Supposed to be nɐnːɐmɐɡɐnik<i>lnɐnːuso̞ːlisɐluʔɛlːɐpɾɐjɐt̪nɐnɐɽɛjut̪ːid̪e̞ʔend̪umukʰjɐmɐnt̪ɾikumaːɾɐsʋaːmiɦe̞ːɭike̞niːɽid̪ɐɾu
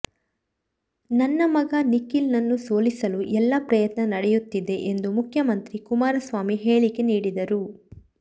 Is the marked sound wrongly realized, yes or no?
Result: no